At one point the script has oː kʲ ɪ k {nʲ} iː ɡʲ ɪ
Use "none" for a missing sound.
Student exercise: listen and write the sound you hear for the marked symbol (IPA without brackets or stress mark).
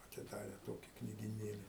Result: nʲ